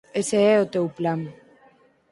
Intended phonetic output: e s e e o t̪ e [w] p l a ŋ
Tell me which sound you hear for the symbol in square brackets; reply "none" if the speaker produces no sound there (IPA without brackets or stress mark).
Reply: w